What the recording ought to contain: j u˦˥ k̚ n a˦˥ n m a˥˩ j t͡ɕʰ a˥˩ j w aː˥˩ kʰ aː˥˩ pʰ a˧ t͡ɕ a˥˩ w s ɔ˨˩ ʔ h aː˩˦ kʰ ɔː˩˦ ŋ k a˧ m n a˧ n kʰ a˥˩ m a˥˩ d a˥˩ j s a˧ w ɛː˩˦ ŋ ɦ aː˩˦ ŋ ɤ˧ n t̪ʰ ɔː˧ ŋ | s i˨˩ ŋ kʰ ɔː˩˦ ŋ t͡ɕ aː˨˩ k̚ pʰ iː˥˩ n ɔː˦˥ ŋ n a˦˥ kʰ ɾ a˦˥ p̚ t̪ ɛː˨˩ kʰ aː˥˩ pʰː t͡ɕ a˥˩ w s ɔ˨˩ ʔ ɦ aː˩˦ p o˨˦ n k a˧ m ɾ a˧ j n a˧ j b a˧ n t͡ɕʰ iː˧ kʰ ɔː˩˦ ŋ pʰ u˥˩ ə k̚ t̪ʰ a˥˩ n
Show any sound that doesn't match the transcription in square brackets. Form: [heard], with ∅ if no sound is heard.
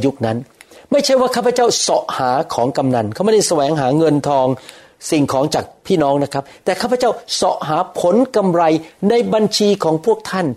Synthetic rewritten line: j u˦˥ k̚ n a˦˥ n m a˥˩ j t͡ɕʰ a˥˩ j w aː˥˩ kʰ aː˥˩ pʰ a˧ t͡ɕ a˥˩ w s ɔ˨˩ ʔ h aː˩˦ kʰ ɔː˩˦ ŋ k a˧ m n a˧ n kʰ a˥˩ m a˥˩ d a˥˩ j s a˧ w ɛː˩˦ ŋ ɦ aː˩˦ ŋ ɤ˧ n t̪ʰ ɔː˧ ŋ | s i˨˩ ŋ kʰ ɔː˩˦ ŋ t͡ɕ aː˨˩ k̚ pʰ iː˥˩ n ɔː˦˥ ŋ n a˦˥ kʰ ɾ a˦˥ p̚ t̪ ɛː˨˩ kʰ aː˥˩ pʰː t͡ɕ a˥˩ w s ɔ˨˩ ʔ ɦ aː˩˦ [pʰ] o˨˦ n k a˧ m ɾ a˧ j n a˧ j b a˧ n t͡ɕʰ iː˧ kʰ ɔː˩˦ ŋ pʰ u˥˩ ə k̚ t̪ʰ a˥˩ n